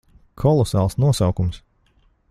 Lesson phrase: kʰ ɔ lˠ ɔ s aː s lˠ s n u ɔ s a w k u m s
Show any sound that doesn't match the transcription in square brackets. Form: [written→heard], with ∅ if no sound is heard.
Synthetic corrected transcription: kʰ ɔ lˠ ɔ s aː [s→∅] lˠ s n u ɔ s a w k u m s